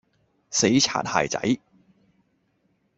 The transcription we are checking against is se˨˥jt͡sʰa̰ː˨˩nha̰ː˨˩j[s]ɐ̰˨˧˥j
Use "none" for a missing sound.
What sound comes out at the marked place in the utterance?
t͡s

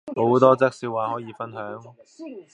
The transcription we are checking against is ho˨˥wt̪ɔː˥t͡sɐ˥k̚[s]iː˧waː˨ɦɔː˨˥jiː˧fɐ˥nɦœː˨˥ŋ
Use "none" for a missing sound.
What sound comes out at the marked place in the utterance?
s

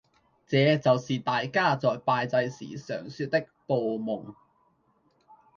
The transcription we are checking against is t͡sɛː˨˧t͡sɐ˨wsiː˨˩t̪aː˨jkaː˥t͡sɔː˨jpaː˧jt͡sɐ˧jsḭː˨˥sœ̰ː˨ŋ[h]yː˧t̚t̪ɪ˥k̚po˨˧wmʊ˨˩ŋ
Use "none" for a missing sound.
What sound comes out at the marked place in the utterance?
s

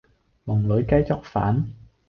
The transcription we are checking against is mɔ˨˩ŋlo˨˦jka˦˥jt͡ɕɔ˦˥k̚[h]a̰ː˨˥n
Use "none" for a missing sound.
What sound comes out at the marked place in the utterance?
f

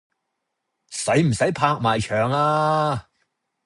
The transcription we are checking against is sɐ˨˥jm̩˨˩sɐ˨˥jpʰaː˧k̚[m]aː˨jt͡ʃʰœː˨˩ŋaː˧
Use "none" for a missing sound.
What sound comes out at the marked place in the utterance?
m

